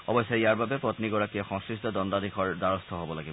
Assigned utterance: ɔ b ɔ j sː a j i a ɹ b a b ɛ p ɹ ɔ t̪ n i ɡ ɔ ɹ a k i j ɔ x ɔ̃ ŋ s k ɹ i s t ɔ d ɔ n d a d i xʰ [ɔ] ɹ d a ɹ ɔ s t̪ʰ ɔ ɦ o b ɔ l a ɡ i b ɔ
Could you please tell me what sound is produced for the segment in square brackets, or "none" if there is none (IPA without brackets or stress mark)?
ɔ